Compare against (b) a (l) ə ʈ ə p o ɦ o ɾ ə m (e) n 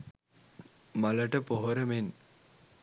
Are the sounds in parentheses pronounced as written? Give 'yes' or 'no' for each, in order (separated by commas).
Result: no, yes, yes